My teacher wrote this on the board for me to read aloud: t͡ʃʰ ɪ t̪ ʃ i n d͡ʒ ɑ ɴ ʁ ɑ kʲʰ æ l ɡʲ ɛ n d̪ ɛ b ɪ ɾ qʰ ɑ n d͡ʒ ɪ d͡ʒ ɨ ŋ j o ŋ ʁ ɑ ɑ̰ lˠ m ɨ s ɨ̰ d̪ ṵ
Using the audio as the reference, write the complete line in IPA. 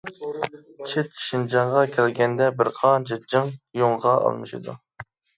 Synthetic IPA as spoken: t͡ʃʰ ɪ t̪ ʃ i n d͡ʒ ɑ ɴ ʁ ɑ kʲʰ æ l ɡʲ ɛ n d̪ ɛ b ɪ ɾ qʰ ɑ n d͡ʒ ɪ d͡ʒ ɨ ŋ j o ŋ ʁ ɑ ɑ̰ lˠ m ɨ ʃ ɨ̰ d̪ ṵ

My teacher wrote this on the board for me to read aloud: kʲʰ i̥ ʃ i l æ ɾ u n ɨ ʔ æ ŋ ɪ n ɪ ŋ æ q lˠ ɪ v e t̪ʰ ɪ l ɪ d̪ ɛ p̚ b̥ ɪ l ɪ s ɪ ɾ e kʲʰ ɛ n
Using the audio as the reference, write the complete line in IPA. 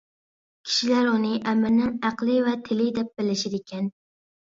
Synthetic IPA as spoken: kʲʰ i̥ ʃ i l æ ɾ u n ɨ ʔ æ m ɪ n ɪ ŋ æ q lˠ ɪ v ɛ t̪ʰ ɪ l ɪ d̪ ɛ p̚ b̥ ɪ l ɪ ʃ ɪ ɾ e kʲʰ ɛ n

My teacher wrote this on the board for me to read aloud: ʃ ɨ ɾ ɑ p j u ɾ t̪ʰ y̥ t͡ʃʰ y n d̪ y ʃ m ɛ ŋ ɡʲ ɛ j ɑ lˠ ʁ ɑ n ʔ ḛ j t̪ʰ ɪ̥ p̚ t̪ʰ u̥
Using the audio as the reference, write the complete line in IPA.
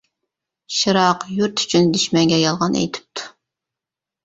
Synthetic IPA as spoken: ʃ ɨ ɾ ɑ q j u ɾ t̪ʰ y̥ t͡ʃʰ y n d̪ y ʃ m ɛ ŋ ɡʲ ɛ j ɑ lˠ ʁ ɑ n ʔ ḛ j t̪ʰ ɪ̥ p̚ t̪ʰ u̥

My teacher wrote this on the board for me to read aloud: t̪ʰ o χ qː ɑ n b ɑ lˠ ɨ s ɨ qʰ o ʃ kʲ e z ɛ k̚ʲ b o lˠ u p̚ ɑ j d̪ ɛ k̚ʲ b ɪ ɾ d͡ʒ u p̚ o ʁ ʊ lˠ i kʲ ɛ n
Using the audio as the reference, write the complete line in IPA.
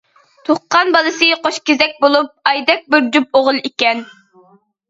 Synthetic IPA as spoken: t̪ʰ o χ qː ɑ n b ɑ lˠ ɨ s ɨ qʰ o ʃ kʲ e z ɛ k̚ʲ b o lˠ u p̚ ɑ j d̪ ɛ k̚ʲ b ɪ ɾ d͡ʒ u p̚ o ʁ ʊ lˠ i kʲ ɛ n

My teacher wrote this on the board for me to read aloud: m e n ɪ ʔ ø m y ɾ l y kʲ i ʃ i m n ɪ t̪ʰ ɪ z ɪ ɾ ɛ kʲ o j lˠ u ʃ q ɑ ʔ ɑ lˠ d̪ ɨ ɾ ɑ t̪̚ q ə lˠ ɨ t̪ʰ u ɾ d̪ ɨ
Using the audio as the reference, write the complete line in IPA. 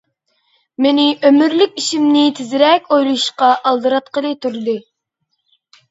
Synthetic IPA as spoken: m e n ɪ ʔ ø m y ɾ l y kʲ i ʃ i m n ɪ t̪ʰ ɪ z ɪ ɾ ɛ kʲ o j lˠ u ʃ q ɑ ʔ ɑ lˠ d̪ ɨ ɾ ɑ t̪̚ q ə lˠ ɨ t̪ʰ u ɾ d̪ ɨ

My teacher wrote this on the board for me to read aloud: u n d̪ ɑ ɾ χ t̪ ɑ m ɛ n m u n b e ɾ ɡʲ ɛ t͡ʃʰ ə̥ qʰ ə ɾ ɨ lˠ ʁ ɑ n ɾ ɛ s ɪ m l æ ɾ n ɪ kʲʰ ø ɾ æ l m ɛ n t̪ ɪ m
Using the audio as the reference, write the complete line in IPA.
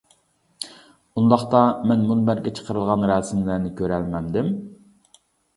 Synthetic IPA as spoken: u n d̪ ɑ χ t̪ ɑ m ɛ n m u n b æ ɾ ɡʲ ɛ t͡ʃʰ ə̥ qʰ ə ɾ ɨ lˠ ʁ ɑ n ɾ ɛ s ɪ m l æ ɾ n ɪ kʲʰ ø ɾ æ l m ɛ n d̪ ɪ m

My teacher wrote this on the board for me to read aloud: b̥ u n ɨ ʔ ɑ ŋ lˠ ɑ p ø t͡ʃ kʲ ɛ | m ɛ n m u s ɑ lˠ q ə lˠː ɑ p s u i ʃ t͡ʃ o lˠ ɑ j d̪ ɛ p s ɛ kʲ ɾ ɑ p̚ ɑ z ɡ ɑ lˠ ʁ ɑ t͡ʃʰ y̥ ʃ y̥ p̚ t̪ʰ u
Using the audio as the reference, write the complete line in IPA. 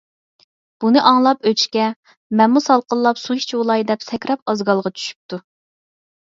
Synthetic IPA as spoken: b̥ u n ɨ ʔ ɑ ŋ lˠ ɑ p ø t͡ʃ kʲ ɛ | m ɛ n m u s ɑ lˠ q ə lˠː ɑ p s u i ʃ t͡ʃ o lˠ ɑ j d̪ ɛ p s ɛ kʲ ɾ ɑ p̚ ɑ z ɡ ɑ lˠ ʁ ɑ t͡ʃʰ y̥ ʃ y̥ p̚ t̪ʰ u

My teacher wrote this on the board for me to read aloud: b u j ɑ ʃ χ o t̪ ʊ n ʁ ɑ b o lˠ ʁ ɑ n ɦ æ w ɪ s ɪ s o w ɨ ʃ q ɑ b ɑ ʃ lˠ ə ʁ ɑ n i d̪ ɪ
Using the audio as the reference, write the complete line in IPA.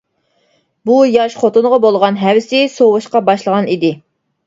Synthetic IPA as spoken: b u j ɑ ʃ χ o t̪ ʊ n ʁ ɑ b o lˠ ʁ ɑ n ɦ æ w ɪ s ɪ s o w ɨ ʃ q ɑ b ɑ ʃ lˠ ə ʁ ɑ n i d̪ ɪ

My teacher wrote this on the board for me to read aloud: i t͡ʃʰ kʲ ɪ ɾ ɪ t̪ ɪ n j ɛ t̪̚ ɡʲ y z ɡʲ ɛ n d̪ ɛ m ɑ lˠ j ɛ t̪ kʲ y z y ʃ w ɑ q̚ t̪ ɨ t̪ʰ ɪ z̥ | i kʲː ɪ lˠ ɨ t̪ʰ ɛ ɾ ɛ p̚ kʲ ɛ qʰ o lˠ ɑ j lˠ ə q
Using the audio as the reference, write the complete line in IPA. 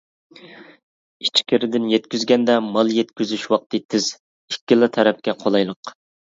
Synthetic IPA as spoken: i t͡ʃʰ kʲ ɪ ɾ ɪ d̪ ɪ n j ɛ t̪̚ kʲ y z ɡʲ ɛ n d̪ ɛ m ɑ lˠ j ɛ t̪ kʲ y z y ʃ w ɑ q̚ t̪ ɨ t̪ʰ ɪ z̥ | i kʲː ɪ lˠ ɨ t̪ʰ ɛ ɾ ɛ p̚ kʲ ɛ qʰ o lˠ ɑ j lˠ ə q

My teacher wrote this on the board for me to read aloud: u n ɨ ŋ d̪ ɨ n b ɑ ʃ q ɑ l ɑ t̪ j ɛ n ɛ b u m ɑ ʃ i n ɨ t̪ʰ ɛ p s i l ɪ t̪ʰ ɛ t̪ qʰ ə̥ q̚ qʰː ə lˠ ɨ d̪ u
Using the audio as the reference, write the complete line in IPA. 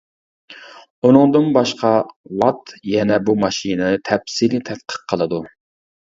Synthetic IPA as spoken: u n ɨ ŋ d̪ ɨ n b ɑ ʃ q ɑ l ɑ t̪ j ɛ n ɛ b u m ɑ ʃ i n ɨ t̪ʰ ɛ p s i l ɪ t̪ʰ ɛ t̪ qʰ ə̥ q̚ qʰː ə lˠ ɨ d̪ u

